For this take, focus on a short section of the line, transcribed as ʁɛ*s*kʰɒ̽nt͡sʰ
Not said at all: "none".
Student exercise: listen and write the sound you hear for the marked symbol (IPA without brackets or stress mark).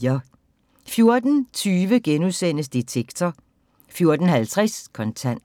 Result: s